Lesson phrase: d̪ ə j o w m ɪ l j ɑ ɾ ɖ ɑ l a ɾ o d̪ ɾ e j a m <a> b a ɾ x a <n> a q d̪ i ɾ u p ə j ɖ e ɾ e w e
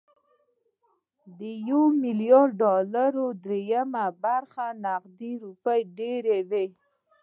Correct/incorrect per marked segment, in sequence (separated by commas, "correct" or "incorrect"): correct, correct